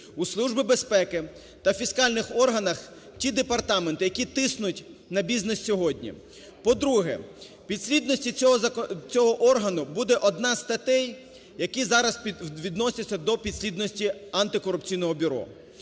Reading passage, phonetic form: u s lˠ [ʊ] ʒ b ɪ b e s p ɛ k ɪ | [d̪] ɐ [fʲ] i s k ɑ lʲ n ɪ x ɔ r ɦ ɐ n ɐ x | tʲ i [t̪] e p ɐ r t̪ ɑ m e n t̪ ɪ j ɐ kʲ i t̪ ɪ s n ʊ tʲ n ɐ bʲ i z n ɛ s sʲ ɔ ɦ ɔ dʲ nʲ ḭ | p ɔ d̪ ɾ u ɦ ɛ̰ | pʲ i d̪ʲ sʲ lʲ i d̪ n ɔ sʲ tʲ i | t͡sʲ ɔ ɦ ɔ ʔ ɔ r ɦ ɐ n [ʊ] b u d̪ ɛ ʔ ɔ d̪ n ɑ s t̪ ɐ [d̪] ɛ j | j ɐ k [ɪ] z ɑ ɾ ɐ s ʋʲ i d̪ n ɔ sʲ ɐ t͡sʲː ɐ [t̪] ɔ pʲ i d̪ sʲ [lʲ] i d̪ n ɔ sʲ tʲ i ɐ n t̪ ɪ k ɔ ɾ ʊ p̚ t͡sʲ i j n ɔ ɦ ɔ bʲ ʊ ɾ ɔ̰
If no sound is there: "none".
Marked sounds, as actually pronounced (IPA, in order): u, t̪, fʲ, d̪, ʊ, t̪, i, d̪, lʲ

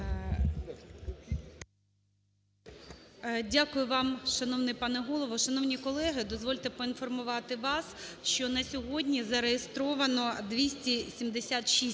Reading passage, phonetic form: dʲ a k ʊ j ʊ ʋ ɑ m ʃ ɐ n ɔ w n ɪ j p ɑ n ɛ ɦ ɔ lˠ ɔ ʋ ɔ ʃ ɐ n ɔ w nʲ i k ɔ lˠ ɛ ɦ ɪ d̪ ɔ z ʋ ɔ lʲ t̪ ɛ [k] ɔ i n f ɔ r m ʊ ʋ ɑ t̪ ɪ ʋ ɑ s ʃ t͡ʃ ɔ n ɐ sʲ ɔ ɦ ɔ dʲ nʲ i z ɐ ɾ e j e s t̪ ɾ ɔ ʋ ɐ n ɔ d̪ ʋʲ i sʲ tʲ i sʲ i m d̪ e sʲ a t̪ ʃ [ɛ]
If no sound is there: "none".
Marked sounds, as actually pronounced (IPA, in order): p, i

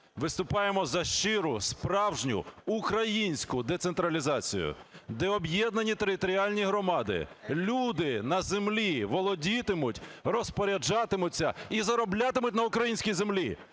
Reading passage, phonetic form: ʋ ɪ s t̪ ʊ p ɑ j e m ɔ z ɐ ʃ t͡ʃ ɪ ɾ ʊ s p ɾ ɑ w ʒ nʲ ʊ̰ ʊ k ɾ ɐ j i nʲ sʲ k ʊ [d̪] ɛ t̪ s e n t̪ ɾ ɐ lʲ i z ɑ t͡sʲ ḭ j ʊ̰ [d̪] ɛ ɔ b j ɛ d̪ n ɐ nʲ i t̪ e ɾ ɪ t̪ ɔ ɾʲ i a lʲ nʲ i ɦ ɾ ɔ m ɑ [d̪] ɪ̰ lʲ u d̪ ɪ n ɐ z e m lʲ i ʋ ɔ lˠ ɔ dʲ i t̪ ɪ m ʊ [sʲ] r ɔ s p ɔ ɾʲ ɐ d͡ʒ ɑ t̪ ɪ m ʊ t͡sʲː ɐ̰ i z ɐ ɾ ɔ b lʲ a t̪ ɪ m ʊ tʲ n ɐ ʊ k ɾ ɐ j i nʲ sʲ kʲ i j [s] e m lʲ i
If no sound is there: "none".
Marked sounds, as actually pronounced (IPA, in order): d̪, d̪, d̪, tʲ, z

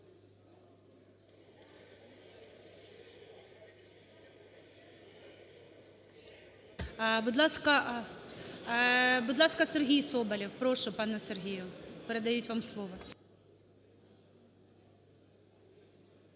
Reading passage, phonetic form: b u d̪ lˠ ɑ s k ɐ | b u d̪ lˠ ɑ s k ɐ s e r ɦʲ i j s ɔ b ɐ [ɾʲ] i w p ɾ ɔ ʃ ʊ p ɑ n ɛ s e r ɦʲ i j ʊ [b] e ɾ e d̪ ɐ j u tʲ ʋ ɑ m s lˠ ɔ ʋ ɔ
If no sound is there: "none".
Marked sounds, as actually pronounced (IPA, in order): lʲ, p

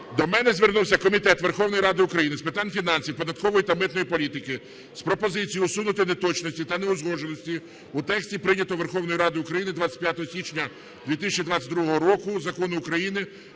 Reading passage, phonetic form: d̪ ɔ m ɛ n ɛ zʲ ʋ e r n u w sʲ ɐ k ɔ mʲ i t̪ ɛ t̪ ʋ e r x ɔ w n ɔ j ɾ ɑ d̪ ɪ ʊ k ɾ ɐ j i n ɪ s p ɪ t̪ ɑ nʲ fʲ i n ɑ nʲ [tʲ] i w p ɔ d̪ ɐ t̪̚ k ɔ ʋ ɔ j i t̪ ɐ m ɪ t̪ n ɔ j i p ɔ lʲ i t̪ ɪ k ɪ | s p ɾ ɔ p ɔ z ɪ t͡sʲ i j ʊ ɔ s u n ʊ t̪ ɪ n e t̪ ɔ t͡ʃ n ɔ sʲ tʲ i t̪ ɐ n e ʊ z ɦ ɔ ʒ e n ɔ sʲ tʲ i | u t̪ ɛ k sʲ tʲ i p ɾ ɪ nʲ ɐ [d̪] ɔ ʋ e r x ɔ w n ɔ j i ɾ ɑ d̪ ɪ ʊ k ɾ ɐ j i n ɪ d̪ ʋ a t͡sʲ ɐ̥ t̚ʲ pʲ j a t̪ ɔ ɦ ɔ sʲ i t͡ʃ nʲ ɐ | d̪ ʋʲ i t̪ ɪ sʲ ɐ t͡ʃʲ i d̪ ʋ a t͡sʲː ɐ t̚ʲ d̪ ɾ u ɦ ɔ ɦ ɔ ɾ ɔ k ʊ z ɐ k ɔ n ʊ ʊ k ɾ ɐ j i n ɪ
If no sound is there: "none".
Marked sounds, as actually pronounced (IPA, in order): sʲ, t̪

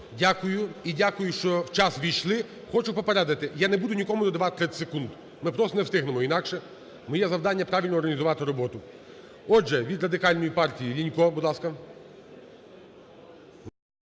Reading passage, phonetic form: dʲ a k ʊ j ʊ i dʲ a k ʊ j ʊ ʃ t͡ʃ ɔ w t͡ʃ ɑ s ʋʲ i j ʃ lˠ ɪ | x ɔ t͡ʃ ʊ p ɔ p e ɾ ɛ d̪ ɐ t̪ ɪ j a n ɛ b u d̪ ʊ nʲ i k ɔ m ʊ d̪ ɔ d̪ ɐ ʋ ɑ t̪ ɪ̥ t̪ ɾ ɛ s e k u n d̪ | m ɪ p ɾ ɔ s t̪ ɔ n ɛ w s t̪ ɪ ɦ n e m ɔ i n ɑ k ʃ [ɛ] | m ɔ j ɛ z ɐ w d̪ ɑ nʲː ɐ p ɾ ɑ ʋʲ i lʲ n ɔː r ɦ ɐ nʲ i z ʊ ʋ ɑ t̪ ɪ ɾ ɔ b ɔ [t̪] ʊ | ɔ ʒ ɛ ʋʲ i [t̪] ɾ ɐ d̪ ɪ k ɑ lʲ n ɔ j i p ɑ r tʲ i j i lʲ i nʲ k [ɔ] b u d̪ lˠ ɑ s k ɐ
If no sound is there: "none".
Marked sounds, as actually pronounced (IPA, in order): ɛ, t̪, d̪, ɔ

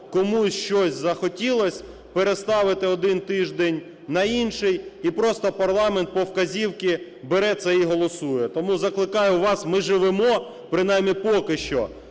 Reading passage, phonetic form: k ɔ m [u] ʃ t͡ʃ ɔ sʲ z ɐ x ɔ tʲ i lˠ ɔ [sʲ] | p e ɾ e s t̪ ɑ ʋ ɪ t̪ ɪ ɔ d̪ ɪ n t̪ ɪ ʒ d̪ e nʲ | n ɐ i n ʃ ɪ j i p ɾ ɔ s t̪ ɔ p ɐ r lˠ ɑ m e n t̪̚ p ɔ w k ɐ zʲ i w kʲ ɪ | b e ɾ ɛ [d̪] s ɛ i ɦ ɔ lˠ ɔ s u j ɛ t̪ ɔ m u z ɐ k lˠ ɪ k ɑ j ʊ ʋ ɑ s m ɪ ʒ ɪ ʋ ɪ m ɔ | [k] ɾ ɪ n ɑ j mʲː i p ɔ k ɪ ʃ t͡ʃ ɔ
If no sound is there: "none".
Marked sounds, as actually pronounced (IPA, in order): u, sʲ, t̪, p

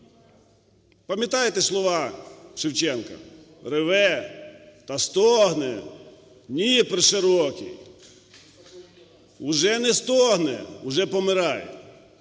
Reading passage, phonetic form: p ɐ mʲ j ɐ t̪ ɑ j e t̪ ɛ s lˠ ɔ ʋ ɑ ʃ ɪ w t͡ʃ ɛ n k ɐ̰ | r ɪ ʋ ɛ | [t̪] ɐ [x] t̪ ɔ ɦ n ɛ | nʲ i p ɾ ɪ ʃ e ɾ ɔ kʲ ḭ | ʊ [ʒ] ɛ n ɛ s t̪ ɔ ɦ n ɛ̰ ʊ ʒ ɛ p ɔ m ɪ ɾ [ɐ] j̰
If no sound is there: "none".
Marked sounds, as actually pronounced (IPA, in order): t̪, s, ʒ, ɑ

